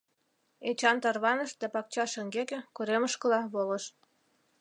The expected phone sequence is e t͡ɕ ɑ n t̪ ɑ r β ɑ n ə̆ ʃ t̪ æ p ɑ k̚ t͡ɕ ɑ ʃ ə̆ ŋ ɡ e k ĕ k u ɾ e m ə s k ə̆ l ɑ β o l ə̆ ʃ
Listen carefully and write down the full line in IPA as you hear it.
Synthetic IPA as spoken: e t͡ɕ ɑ n t̪ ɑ r β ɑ n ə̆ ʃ d̪ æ p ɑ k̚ t͡ɕ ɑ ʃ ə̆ ŋ ɡ e k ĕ k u ɾ e m ə ʃ k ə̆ l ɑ β o l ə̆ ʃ